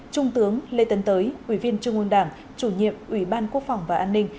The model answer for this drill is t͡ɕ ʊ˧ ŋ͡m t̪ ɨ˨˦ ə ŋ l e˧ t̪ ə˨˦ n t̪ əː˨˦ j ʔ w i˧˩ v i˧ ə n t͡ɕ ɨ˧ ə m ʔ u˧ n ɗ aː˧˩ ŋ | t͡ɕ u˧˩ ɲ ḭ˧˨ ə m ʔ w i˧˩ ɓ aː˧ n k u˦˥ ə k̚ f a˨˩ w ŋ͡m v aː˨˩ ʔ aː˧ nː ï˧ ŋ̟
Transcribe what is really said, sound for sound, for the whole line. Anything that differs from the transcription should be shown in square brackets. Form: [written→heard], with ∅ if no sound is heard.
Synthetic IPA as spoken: t͡ɕ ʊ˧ ŋ͡m t̪ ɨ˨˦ ə ŋ l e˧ t̪ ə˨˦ n t̪ əː˨˦ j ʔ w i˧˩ v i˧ ə n t͡ɕ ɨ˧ ə [m→ŋ] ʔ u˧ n ɗ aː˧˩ ŋ | t͡ɕ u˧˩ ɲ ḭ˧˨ ə m ʔ w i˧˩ ɓ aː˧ n k u˦˥ ə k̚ f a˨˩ w ŋ͡m v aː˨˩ ʔ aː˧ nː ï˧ ŋ̟